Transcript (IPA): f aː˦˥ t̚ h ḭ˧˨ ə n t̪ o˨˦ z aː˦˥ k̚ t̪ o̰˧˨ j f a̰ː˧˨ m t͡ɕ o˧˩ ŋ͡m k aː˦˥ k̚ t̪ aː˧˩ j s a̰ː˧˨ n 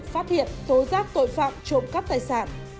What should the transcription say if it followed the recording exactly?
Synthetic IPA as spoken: f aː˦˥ t̚ h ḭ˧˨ ə n t̪ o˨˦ z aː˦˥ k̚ t̪ o̰˧˨ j f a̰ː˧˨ m t͡ɕ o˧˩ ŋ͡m k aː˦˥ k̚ t̪ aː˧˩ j s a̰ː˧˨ n